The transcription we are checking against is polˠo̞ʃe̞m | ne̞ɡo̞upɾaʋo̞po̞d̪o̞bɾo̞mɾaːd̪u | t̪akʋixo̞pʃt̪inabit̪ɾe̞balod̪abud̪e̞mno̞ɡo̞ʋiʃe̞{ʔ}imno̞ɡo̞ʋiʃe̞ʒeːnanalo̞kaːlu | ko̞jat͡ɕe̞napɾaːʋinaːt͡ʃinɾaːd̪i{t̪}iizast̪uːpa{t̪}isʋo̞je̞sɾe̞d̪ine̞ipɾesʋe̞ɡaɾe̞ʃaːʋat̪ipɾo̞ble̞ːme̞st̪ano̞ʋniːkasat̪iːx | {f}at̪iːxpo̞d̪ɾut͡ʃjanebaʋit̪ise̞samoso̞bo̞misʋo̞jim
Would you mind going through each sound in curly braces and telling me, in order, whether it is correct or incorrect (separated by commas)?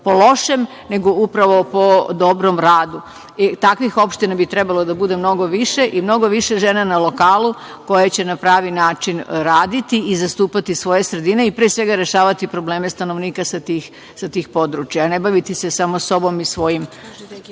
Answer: correct, correct, correct, incorrect